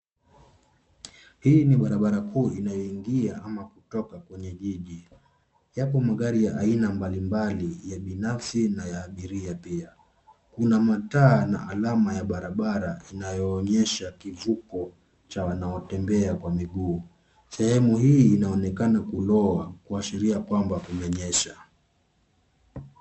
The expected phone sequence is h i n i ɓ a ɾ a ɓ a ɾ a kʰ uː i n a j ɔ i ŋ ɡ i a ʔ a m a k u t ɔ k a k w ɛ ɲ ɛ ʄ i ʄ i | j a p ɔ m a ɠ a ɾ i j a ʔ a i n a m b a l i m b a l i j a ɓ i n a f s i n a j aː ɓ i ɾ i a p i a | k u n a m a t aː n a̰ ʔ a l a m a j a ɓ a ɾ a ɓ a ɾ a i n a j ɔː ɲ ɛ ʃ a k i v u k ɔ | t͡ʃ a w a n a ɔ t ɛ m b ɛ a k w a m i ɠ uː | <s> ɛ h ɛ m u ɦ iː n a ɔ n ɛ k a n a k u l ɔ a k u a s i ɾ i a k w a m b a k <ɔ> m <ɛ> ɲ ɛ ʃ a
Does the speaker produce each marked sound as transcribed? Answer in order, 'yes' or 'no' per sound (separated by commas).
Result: yes, no, yes